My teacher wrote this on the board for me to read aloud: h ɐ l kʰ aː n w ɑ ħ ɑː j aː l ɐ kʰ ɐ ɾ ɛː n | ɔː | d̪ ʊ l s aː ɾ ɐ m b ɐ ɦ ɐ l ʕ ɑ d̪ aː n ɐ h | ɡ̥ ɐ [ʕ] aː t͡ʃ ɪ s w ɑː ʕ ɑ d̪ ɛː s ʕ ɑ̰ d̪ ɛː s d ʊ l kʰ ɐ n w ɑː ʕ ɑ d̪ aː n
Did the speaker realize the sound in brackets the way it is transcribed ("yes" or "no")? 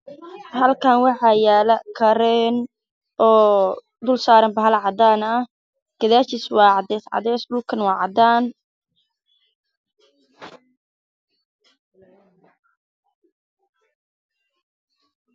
no